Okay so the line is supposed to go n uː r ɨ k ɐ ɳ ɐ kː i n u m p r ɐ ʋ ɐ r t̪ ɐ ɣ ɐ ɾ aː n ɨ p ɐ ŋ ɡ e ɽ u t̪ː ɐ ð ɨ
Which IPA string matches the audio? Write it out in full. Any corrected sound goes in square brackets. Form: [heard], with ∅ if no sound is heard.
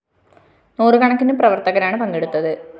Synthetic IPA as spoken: n uː r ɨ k ɐ ɳ ɐ kː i n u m p r ɐ ʋ ɐ r t̪ ɐ ɣ ɐ ɾ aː [ɳ] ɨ p ɐ ŋ ɡ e ɽ u t̪ː ɐ ð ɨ

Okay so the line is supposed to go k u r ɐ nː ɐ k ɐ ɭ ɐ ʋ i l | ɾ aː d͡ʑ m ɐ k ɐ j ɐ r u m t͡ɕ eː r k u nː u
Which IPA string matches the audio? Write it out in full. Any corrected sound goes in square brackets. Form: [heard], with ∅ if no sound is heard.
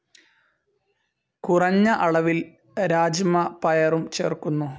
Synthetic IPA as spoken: k u r ɐ [ɲː] ɐ [ʔ] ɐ ɭ ɐ ʋ i l | ɾ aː d͡ʑ m ɐ [p] ɐ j ɐ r u m t͡ɕ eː r k u nː u

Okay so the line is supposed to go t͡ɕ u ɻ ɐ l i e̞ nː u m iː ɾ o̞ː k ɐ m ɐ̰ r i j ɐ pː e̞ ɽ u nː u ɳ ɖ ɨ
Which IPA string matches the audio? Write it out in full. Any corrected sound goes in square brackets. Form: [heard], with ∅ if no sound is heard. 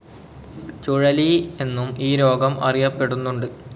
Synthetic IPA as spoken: t͡ɕ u ɻ ɐ l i e̞ nː u m iː ɾ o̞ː [ɡ] ɐ m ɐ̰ r i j ɐ pː e̞ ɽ u nː u ɳ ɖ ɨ

